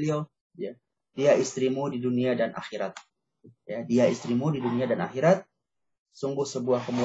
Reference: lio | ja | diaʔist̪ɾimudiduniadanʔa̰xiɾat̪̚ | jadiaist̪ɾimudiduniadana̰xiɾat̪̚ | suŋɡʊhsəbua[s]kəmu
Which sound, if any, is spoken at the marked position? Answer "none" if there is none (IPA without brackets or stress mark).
h